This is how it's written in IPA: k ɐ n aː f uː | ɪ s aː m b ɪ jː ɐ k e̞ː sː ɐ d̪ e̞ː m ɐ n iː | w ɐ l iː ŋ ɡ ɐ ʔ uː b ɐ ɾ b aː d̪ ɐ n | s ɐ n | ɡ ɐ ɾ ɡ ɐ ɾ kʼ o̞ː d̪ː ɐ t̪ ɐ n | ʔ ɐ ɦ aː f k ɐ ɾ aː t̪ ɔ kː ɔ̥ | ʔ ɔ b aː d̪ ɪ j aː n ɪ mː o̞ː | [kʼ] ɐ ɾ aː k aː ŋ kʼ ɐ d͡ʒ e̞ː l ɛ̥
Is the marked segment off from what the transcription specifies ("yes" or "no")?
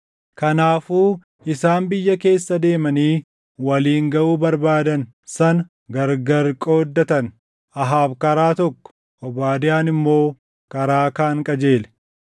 yes